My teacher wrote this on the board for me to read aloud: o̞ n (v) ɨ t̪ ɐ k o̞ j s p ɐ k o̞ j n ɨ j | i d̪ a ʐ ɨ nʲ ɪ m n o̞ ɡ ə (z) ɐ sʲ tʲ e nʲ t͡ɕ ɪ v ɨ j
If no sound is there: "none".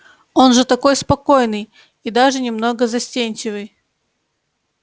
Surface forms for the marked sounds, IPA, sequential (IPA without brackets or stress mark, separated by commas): ʐ, z